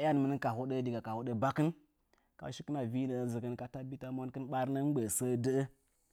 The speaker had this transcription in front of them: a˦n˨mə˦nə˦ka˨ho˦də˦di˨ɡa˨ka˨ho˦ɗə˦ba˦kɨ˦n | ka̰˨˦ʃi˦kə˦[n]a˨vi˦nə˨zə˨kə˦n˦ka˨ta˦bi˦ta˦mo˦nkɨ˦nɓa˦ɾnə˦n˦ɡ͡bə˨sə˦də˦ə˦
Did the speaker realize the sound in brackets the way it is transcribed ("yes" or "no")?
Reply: yes